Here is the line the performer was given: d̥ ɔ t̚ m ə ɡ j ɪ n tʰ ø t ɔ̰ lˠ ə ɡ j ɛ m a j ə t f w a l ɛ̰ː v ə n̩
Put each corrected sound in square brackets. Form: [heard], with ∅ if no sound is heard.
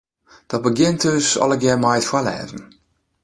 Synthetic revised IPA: d̥ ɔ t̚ [b] ə ɡ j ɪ n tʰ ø [s] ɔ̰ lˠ ə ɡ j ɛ m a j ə t f w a l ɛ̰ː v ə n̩